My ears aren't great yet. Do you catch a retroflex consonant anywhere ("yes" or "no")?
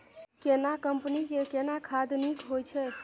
no